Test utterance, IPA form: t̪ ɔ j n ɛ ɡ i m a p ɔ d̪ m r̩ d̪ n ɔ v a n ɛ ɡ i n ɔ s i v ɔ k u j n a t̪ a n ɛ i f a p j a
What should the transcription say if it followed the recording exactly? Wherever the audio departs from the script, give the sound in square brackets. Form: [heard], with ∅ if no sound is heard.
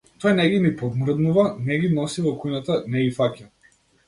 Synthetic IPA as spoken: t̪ ɔ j n ɛ ɡ i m [i] p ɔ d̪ m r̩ d̪ n [u] v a n ɛ ɡ i n ɔ s i v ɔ k u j n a t̪ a n ɛ i f a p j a